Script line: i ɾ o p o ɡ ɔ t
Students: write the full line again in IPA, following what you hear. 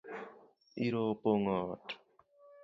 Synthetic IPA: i ɾ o p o ŋ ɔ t

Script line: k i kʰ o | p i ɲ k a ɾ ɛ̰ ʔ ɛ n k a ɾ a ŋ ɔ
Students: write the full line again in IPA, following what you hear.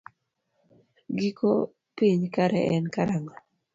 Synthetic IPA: ɡ i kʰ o | p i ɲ k a ɾ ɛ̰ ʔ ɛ n k a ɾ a ŋ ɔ

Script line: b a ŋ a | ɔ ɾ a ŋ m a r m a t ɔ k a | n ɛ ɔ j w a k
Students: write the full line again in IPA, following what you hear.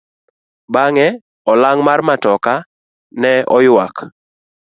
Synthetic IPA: b a ŋ ɛ | ɔ l a ŋ m a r m a t ɔ k a | n ɛ ɔ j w a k

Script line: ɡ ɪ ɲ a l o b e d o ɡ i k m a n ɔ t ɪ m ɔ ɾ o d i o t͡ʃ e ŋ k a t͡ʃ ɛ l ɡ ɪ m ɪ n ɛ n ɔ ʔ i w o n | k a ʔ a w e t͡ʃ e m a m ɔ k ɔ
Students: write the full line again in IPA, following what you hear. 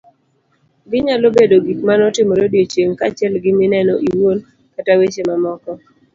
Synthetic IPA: ɡ ɪ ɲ a l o b e d o ɡ i k m a n ɔ t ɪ m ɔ ɾ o d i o t͡ʃ e ŋ k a t͡ʃ ɛ l ɡ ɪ m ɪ n ɛ n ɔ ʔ i w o n | k a t a w e t͡ʃ e m a m ɔ k ɔ

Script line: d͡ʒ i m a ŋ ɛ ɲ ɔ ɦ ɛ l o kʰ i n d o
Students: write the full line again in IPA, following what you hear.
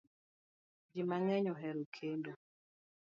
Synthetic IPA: d͡ʒ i m a ŋ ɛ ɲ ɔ ɦ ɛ ɾ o kʰ e n d o

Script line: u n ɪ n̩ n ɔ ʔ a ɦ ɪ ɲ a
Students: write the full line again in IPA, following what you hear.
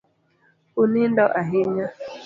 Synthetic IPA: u n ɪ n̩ d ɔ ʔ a ɦ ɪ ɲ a

